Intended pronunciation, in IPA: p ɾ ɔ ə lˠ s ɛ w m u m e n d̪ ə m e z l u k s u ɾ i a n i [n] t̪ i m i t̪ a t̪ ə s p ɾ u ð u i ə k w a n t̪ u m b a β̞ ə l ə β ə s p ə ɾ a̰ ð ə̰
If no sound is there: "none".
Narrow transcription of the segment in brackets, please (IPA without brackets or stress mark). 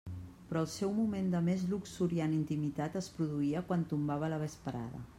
n